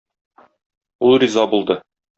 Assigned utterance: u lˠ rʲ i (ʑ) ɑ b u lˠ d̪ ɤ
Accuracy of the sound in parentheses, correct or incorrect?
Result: incorrect